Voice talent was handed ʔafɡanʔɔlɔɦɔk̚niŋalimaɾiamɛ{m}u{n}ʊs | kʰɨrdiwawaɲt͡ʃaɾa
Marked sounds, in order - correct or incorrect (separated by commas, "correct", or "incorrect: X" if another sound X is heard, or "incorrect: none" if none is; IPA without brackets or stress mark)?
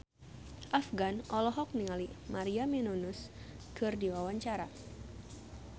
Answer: incorrect: n, correct